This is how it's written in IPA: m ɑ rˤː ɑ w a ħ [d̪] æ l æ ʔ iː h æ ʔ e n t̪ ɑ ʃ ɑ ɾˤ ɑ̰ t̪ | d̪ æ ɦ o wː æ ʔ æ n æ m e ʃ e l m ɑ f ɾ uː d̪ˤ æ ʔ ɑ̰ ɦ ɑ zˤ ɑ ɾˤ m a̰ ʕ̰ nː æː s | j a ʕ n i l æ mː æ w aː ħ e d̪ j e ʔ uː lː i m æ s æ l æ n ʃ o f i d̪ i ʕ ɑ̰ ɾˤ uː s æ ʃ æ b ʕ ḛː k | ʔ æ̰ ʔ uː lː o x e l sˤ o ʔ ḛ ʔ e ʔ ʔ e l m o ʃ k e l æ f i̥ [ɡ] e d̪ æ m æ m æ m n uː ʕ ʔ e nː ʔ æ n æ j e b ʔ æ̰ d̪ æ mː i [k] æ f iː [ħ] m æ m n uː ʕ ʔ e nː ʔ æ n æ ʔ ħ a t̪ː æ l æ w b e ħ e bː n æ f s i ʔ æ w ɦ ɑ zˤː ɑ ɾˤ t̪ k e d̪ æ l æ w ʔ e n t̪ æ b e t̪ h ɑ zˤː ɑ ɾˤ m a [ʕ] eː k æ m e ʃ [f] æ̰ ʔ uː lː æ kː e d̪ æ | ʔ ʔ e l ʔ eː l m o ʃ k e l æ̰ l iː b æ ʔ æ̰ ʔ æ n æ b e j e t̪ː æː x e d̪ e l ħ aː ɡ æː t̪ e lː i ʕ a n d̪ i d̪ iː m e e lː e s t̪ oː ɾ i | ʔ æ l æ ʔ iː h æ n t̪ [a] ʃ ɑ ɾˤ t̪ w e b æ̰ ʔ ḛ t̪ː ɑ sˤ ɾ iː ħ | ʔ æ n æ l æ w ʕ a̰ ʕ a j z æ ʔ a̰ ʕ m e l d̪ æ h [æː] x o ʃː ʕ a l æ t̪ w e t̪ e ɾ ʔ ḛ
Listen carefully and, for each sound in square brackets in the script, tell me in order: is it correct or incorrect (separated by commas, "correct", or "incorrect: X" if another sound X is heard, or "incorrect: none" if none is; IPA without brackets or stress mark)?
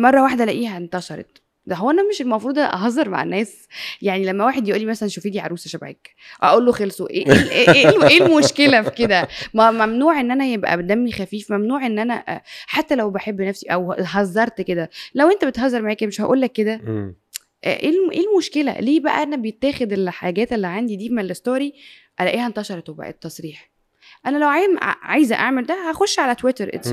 correct, incorrect: k, incorrect: x, incorrect: f, correct, incorrect: h, incorrect: ɑ, incorrect: æ